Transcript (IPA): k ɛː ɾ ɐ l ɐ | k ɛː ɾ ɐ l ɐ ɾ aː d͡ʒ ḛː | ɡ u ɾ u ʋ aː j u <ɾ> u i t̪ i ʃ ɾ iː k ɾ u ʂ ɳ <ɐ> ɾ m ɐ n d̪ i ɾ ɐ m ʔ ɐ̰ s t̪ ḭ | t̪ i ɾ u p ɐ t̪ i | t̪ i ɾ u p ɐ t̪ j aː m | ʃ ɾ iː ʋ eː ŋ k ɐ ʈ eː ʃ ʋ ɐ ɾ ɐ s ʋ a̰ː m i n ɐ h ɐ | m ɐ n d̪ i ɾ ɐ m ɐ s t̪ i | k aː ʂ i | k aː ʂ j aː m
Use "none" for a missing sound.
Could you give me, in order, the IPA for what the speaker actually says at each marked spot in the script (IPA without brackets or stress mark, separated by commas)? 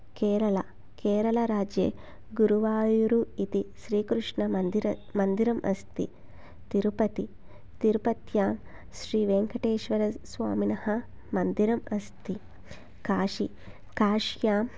ɾ, ɐ